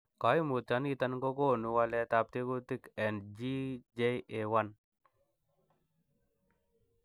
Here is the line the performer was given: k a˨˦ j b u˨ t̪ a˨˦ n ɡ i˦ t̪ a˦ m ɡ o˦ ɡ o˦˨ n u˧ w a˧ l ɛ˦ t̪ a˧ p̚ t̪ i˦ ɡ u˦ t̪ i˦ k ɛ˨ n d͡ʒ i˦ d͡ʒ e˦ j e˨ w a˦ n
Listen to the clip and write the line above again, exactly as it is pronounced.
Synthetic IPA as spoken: k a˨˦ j m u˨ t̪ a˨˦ n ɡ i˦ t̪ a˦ n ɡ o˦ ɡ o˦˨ n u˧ w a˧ l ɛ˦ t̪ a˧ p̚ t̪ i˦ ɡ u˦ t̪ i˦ k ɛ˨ n d͡ʒ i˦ d͡ʒ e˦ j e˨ w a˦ n